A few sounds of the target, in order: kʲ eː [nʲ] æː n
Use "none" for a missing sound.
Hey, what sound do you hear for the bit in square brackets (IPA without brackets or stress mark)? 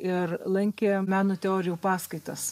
mʲ